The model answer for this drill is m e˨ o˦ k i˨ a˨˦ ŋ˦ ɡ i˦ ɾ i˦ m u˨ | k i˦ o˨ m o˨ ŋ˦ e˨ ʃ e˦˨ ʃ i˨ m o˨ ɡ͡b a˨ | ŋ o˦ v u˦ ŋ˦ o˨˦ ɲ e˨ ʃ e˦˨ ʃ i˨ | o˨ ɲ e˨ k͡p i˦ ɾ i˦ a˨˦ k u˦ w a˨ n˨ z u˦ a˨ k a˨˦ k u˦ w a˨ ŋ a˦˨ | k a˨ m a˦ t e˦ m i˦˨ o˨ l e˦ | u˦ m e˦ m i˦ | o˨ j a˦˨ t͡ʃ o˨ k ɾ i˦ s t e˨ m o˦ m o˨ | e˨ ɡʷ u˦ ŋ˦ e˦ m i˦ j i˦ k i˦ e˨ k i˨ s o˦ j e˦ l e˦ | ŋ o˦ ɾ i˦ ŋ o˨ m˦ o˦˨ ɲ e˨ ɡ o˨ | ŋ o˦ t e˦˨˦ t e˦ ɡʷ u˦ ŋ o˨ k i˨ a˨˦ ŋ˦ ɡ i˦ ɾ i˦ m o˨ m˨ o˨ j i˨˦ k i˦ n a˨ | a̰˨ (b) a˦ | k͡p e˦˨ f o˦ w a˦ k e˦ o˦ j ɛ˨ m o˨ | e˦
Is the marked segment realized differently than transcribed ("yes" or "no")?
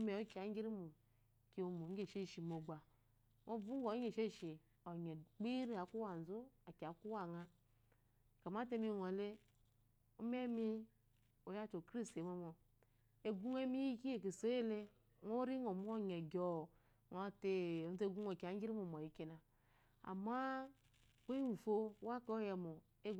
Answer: yes